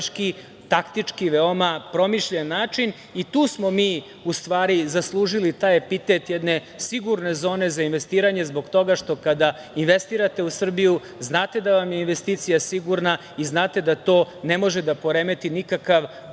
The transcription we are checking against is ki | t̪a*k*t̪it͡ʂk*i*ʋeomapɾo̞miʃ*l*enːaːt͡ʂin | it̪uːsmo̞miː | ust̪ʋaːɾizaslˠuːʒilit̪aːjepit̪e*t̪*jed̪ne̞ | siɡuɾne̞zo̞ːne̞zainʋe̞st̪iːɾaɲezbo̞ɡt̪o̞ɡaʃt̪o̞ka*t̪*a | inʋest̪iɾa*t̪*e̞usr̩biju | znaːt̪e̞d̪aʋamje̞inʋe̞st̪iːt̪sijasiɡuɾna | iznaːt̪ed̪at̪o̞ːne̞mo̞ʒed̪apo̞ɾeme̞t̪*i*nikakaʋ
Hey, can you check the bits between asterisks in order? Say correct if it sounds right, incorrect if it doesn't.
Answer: correct, correct, incorrect, correct, incorrect, correct, correct

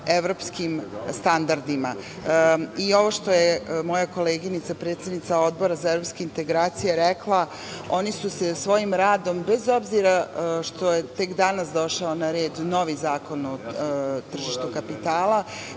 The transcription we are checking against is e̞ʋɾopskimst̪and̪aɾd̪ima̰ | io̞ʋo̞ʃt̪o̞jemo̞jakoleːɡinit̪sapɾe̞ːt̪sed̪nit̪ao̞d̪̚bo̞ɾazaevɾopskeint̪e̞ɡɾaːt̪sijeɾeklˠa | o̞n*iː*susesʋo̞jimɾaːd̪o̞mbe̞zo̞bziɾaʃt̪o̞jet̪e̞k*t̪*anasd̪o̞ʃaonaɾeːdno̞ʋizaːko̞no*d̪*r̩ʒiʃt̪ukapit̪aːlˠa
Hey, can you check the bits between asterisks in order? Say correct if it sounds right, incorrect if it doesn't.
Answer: incorrect, incorrect, incorrect

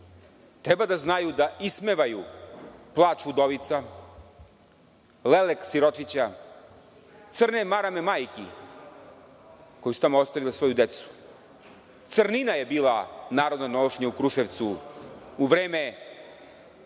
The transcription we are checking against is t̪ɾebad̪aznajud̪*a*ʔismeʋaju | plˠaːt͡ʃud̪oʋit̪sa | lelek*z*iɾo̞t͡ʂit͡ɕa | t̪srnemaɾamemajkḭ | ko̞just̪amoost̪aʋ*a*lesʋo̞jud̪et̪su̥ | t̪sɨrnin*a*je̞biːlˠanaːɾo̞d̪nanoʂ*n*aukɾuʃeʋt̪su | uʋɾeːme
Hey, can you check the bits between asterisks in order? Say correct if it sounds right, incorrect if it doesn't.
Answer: correct, incorrect, incorrect, correct, incorrect

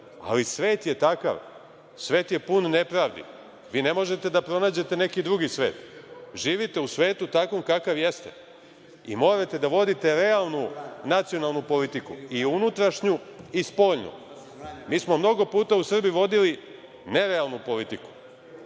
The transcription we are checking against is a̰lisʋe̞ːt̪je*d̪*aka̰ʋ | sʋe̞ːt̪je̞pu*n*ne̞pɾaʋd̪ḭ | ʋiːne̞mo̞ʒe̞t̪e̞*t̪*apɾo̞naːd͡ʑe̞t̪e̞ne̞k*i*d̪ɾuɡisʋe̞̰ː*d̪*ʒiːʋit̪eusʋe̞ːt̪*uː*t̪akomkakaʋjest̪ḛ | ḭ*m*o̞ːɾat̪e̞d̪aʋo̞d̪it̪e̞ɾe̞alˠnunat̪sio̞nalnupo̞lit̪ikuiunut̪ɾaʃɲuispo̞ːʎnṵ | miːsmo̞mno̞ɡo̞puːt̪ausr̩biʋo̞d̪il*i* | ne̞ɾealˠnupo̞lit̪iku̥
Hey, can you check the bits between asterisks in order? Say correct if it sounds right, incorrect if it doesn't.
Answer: incorrect, correct, incorrect, correct, incorrect, incorrect, correct, correct

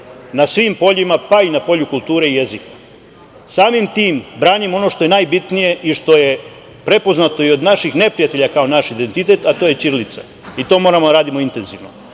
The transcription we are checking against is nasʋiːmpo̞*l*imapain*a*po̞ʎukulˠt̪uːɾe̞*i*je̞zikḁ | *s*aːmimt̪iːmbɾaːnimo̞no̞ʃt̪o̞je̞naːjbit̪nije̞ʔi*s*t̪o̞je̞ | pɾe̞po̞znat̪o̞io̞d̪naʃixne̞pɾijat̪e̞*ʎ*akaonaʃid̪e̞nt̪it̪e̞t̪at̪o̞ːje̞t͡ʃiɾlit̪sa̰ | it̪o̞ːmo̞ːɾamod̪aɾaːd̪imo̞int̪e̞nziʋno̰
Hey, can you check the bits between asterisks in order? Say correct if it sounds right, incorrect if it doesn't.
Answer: incorrect, correct, correct, correct, incorrect, correct

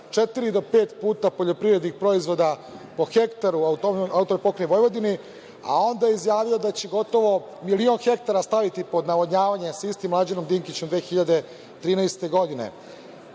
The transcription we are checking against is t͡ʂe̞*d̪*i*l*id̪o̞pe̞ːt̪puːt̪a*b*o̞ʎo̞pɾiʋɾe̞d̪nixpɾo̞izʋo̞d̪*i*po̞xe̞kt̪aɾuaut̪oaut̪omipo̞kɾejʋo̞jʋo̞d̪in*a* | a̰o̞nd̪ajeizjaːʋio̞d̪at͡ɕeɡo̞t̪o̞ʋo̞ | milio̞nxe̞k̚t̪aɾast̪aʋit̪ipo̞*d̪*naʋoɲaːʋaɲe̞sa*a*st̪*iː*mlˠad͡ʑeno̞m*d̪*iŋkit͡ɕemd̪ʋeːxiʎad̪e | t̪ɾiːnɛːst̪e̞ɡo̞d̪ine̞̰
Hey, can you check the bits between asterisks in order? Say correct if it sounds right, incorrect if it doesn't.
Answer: incorrect, incorrect, incorrect, incorrect, incorrect, correct, incorrect, incorrect, correct

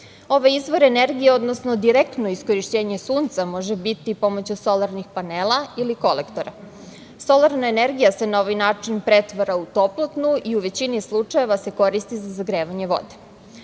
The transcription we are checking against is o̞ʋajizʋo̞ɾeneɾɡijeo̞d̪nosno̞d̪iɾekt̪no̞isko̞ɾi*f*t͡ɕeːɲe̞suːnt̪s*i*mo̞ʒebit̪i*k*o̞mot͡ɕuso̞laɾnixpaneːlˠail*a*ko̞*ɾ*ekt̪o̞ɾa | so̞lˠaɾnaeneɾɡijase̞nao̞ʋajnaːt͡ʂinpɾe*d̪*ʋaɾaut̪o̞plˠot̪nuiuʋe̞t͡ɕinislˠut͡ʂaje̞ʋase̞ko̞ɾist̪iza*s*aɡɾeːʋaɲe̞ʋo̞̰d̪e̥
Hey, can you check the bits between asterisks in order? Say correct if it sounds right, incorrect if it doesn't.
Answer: incorrect, incorrect, incorrect, incorrect, incorrect, incorrect, incorrect

